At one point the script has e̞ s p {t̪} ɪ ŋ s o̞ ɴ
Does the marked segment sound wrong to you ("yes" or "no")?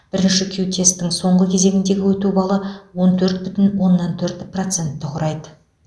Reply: no